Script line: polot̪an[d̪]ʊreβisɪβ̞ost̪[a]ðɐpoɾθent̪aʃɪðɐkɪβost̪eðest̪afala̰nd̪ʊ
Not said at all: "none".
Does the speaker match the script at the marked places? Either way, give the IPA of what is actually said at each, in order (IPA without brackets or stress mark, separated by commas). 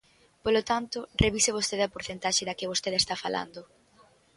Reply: t̪, e